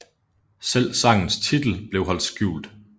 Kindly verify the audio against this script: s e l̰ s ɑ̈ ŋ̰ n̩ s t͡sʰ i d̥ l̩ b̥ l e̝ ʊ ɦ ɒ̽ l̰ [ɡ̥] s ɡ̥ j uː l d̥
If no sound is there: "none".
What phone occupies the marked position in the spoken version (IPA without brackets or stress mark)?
d̥